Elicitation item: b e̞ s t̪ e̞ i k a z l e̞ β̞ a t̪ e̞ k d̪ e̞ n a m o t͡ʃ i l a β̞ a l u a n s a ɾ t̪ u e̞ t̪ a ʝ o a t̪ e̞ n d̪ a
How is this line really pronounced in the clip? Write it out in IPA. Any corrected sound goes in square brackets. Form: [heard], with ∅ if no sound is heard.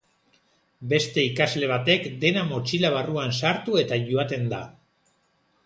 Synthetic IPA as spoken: b e̞ s t̪ e̞ i k a z l e̞ β̞ a t̪ e̞ k d̪ e̞ n a m o t͡ʃ i l a β̞ a [r] u a n s a ɾ t̪ u e̞ t̪ a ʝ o a t̪ e̞ n d̪ a